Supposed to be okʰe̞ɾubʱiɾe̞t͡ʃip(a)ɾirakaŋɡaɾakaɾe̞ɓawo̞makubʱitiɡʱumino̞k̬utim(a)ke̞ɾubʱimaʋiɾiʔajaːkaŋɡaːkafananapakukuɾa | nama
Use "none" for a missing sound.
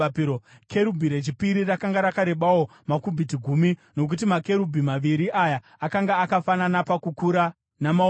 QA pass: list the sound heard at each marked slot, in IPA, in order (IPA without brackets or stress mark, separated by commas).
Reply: i, a